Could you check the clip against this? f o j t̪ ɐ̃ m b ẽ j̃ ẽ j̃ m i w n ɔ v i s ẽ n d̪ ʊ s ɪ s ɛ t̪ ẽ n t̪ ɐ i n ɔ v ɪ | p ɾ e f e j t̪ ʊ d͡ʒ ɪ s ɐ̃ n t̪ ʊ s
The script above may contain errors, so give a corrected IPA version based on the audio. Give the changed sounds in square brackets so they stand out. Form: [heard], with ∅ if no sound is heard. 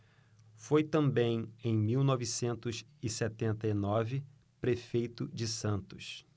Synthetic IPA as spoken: f o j t̪ ɐ̃ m b ẽ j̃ ẽ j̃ m i w n ɔ v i s ẽ n [t̪] ʊ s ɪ s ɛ t̪ ẽ n t̪ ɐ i n ɔ v ɪ | p ɾ e f e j t̪ ʊ d͡ʒ ɪ s ɐ̃ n t̪ ʊ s